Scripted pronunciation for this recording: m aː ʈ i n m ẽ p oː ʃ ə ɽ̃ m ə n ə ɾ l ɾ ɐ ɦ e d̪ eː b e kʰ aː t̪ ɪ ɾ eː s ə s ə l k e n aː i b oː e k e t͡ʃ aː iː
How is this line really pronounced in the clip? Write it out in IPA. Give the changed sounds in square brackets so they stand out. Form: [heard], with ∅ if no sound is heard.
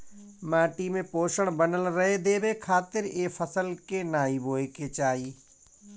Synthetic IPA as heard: m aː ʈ i [∅] m ẽ p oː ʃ ə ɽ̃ [b] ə n ə [∅] l ɾ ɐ ɦ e d̪ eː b e kʰ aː t̪ ɪ ɾ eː [f] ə s ə l k e n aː i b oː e k e t͡ʃ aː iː